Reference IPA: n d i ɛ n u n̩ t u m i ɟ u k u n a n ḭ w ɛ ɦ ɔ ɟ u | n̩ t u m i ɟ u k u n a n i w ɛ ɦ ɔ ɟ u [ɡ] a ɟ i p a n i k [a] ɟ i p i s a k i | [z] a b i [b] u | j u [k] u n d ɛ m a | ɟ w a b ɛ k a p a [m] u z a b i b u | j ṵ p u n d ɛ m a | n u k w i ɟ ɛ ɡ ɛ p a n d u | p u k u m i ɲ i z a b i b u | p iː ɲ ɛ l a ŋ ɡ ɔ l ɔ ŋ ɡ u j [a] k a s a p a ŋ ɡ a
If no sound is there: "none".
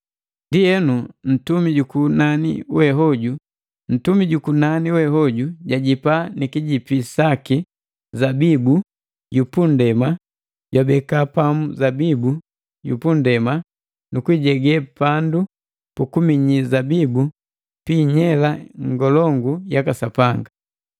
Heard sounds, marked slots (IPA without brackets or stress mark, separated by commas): ɟ, i, z, b, p, m, a